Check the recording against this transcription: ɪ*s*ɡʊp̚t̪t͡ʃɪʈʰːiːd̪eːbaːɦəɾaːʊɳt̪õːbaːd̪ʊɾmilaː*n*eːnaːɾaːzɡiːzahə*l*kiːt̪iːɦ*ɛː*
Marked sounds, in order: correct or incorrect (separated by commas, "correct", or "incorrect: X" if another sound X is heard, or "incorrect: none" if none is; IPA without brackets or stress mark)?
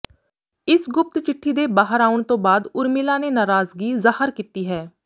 correct, correct, incorrect: ɾ, correct